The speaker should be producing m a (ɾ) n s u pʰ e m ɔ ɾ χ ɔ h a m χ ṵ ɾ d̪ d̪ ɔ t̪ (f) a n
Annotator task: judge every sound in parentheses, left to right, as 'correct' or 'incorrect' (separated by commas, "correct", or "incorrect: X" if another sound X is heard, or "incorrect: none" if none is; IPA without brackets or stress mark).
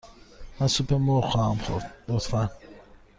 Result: incorrect: none, correct